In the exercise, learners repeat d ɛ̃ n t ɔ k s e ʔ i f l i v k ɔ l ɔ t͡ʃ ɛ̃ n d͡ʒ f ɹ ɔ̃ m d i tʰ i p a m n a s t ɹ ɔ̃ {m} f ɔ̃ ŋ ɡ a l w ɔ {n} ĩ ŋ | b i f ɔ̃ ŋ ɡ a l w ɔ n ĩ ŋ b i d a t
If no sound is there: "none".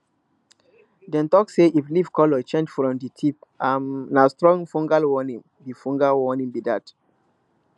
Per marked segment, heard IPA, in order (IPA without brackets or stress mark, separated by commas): ŋ, n